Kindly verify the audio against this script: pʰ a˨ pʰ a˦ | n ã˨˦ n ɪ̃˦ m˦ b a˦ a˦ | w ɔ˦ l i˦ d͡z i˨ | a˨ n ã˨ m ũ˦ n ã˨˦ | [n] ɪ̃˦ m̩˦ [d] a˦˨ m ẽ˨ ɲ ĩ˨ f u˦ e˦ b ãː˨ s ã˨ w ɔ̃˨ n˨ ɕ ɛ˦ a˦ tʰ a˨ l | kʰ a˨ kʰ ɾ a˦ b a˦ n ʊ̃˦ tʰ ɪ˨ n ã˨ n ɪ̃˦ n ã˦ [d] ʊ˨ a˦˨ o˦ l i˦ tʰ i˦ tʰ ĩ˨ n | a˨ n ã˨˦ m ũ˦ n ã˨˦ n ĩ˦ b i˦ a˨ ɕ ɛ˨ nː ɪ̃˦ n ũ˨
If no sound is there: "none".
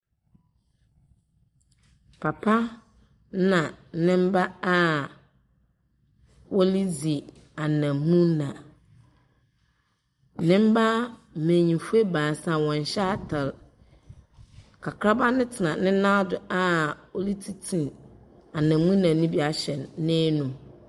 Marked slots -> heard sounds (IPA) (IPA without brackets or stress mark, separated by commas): n, b, d